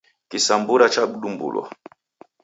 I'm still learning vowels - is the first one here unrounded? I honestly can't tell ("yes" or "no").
yes